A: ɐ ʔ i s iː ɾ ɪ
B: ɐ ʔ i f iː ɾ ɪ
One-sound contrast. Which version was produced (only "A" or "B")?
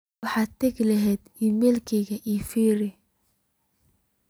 B